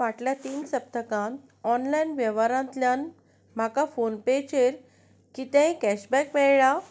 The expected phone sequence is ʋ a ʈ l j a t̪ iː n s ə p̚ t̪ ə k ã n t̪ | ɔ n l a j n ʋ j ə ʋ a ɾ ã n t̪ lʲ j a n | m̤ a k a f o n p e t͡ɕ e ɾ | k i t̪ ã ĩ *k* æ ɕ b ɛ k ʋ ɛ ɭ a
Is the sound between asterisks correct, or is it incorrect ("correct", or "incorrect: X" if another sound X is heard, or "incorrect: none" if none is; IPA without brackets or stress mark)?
correct